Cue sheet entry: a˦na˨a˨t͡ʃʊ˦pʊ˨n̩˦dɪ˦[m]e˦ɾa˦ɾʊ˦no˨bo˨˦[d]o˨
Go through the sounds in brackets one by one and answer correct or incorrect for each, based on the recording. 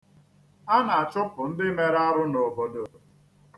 correct, correct

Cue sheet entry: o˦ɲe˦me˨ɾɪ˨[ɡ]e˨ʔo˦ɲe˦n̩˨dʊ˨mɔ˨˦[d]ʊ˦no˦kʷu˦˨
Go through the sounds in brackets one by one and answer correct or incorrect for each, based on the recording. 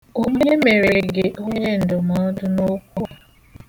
correct, correct

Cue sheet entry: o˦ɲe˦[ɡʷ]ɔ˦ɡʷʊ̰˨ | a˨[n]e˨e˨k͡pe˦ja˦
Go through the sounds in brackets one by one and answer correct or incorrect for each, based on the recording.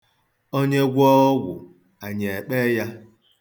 correct, incorrect

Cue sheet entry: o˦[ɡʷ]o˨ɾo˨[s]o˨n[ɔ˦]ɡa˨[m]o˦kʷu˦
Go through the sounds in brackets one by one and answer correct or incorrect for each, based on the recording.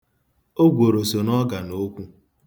correct, correct, correct, incorrect

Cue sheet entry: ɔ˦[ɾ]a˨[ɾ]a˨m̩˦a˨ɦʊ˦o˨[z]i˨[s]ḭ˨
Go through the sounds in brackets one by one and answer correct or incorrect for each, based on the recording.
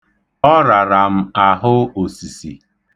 correct, correct, incorrect, correct

